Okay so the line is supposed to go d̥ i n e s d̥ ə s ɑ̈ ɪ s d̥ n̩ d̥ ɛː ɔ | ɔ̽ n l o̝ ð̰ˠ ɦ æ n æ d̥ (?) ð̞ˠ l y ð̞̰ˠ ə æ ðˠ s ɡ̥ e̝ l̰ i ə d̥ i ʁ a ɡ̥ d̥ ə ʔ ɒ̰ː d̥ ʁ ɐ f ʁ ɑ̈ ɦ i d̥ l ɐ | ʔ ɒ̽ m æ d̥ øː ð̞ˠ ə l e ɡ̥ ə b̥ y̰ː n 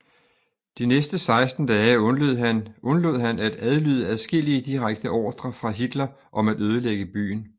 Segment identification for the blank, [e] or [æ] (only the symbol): æ